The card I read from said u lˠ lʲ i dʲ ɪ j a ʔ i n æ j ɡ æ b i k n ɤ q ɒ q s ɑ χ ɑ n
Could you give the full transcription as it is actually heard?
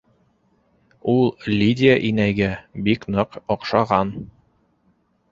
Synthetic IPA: u lˠ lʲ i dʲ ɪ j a ʔ i n æ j ɡ æ b i k n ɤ q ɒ q ʃ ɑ ʁ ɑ n